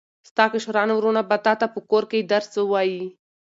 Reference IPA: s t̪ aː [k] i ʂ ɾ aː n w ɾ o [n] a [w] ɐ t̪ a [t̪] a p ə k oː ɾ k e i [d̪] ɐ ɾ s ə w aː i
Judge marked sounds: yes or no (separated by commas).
yes, yes, no, yes, yes